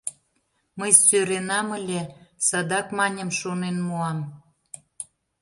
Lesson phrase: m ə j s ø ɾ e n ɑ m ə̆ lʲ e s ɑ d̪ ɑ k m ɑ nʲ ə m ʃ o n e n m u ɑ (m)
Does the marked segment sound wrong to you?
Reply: no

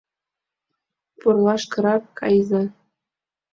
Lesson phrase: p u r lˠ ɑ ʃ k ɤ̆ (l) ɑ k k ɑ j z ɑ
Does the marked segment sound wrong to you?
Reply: yes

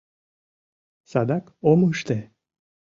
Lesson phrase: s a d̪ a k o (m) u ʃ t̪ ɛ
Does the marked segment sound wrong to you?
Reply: no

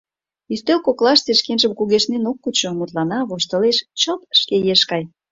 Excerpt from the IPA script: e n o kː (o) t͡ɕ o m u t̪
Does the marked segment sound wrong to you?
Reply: yes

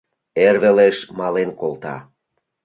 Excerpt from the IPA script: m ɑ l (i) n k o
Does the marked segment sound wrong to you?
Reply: yes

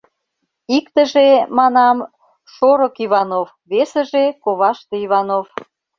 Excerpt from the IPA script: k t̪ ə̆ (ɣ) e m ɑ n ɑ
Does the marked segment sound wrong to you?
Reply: yes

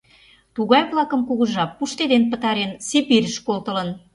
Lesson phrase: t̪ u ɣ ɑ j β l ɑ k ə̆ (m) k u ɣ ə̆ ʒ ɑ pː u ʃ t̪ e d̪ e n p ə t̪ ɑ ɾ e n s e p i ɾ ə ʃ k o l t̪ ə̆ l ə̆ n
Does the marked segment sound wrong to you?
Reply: no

